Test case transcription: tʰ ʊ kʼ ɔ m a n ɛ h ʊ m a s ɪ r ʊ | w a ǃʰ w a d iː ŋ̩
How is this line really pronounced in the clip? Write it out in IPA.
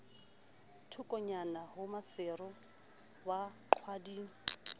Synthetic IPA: tʰ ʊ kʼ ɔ ɲ a n a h ʊ m a s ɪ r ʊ | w a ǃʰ w a d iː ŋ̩